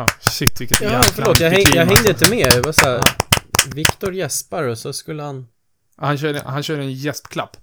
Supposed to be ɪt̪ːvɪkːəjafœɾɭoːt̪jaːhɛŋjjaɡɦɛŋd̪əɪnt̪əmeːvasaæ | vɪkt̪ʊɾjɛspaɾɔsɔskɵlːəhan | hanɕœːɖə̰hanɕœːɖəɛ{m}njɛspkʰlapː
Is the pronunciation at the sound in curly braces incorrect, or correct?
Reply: incorrect